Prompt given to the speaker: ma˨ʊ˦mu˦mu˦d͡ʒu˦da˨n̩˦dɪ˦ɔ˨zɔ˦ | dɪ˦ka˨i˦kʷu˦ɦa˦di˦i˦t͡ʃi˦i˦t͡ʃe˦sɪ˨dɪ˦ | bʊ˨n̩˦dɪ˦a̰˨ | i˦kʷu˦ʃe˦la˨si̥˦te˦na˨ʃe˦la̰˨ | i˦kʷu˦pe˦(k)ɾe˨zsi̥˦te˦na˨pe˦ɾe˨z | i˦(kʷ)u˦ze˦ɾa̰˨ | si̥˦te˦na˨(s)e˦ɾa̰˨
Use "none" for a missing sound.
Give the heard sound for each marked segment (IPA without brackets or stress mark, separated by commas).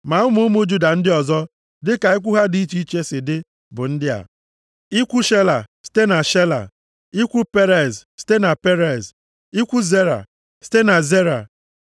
none, kʷ, z